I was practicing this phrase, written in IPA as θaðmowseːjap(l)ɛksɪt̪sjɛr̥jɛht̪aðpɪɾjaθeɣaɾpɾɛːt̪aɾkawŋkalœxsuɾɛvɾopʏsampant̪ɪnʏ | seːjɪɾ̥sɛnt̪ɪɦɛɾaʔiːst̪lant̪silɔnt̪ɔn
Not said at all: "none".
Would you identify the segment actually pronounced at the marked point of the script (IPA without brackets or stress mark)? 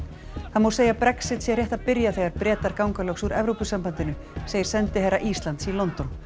ɾ